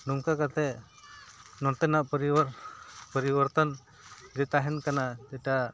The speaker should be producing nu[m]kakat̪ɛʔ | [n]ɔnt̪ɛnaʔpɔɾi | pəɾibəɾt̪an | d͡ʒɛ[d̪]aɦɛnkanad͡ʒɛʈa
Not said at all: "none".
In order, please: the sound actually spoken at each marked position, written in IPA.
ŋ, n, t̪

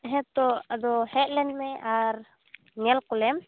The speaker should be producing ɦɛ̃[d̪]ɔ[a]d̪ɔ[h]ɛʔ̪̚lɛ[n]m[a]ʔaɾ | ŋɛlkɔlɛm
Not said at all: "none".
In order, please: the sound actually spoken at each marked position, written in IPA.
t̪, a, h, n, ɛ

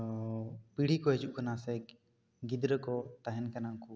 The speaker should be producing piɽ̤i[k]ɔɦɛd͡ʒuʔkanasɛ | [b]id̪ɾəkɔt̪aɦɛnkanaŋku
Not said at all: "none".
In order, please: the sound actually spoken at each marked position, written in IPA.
k, ɡ

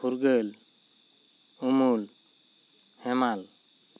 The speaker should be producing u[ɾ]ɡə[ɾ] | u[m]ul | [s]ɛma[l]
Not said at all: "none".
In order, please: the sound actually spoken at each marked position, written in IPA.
ɾ, l, m, h, l

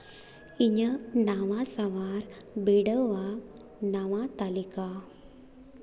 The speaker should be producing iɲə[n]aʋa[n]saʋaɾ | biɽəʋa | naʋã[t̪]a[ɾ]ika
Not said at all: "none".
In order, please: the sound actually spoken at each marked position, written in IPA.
n, none, t̪, l

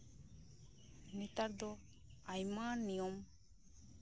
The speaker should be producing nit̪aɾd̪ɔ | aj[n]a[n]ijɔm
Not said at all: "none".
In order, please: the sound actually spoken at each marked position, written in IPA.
m, n

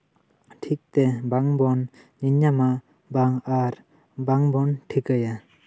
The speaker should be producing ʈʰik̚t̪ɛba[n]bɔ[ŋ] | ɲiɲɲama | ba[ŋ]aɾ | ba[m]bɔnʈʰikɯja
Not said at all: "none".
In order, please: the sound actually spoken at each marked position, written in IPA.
ŋ, n, ŋ, ŋ

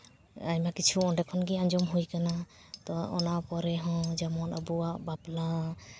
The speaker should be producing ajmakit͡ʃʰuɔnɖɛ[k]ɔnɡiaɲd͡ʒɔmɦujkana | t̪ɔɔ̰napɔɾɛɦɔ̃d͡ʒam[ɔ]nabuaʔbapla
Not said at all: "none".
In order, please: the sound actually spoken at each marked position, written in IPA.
kʰ, ɔ

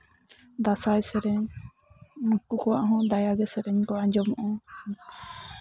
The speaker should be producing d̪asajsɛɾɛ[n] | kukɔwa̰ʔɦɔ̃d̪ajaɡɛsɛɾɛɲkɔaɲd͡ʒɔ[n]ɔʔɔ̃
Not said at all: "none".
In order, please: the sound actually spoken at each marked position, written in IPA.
ɲ, m

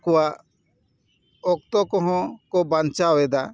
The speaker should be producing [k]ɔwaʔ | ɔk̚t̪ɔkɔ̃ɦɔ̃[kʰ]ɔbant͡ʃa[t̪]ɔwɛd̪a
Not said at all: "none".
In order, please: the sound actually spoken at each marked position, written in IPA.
k, k, none

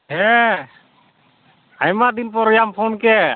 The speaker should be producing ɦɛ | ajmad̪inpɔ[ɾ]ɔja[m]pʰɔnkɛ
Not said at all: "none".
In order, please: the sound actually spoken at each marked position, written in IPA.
ɾ, m

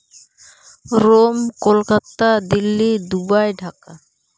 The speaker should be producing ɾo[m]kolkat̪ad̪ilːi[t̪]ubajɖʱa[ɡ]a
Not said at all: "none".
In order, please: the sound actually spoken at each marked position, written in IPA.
m, d̪, k

